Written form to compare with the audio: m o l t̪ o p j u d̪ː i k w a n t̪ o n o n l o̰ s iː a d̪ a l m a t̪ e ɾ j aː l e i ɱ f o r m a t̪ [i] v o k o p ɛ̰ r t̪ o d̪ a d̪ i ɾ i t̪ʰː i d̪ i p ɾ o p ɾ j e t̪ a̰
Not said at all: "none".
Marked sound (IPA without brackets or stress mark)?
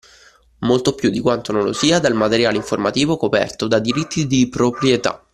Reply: iː